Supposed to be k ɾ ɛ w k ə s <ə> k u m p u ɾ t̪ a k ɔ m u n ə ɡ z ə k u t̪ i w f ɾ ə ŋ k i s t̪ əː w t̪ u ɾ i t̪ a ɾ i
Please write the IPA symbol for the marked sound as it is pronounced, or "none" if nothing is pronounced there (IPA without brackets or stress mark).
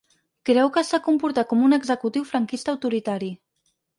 a